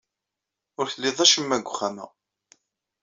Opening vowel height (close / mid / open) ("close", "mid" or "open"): close